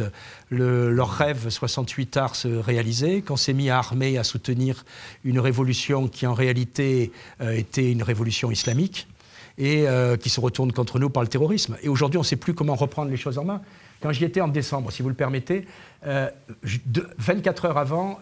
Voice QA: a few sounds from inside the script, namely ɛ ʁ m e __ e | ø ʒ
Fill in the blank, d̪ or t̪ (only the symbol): t̪